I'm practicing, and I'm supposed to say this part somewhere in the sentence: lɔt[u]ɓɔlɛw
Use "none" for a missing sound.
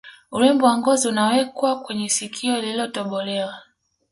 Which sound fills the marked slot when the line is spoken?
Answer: ɔ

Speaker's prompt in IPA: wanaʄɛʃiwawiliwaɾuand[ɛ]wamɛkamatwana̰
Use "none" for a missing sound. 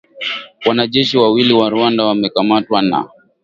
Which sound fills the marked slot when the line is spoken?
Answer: a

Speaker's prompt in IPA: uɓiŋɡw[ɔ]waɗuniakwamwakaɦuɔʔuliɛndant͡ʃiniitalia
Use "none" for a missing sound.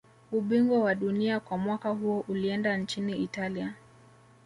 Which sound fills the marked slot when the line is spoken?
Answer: ɔ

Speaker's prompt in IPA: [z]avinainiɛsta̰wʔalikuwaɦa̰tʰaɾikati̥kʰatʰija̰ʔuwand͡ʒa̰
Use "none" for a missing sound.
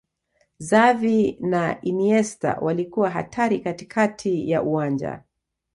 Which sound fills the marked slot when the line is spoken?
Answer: z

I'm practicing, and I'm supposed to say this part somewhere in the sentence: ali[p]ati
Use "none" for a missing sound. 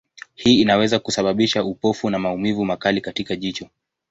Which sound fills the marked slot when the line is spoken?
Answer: k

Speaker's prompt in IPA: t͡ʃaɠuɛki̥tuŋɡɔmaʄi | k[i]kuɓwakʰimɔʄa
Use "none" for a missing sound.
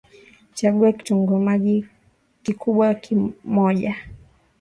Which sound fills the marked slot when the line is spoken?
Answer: i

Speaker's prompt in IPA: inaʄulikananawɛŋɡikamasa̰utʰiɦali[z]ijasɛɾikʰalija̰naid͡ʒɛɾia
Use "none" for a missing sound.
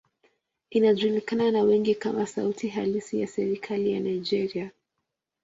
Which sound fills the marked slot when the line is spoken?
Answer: s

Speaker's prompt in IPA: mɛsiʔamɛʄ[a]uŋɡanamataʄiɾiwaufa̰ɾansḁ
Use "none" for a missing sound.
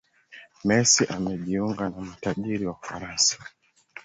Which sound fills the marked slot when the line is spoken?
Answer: i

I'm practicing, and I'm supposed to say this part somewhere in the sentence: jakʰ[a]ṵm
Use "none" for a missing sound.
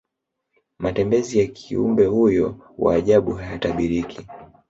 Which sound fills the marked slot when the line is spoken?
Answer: i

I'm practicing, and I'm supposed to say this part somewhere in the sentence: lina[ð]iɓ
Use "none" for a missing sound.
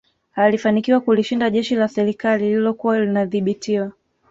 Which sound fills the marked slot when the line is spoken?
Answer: ð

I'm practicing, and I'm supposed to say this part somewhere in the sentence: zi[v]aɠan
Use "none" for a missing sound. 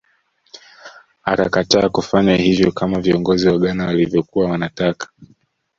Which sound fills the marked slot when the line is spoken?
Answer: w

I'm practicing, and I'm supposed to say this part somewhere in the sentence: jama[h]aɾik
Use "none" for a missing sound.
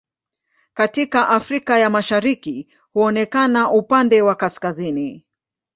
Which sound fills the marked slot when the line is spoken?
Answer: ʃ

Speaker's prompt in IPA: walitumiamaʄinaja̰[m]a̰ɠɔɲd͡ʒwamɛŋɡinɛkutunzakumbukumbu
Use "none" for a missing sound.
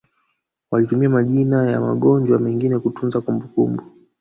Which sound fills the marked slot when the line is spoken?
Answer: m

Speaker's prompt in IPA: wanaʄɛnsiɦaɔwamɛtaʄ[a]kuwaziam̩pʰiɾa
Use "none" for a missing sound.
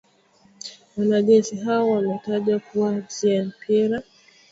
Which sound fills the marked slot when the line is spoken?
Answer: a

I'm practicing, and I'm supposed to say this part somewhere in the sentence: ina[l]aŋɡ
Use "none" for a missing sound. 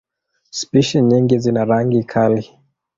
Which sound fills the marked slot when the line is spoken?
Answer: ɾ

